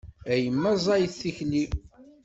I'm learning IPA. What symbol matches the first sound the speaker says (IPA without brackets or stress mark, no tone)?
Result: æ